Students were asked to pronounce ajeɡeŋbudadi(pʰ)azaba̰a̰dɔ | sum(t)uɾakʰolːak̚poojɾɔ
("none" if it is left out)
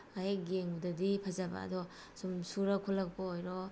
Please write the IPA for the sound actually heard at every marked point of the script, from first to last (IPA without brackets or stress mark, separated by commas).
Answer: pʰ, s